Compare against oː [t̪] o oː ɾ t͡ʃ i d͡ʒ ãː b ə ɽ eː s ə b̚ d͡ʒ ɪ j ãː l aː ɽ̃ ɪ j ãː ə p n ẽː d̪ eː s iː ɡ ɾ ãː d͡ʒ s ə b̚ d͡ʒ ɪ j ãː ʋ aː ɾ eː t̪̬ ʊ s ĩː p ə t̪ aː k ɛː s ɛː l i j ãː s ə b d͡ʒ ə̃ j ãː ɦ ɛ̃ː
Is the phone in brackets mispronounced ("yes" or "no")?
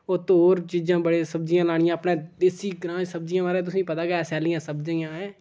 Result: no